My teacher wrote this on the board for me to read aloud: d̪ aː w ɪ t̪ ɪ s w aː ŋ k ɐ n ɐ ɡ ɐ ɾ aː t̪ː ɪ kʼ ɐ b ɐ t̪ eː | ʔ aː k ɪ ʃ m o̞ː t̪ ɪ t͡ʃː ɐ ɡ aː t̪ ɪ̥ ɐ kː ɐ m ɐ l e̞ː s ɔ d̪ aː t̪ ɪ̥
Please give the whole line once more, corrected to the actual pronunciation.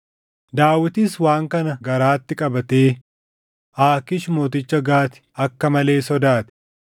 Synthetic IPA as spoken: d̪ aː w ɪ t̪ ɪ s w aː ŋ k ɐ n ɐ ɡ ɐ ɾ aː t̪ː ɪ kʼ ɐ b ɐ t̪ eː | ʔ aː k ɪ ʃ m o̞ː t̪ ɪ t͡ʃː ɐ ɡ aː t̪ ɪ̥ ɐ kː ɐ m ɐ l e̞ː s ɔ d̪ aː t̪ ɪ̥